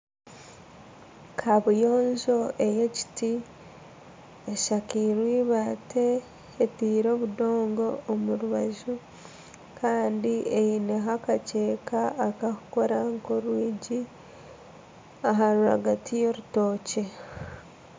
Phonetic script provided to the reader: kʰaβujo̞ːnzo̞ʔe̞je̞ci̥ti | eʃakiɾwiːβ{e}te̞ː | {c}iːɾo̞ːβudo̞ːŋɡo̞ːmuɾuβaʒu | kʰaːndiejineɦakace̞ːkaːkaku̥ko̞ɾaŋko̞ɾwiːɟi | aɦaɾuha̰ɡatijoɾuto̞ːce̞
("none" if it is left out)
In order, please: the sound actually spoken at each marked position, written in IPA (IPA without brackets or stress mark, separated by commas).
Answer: a, t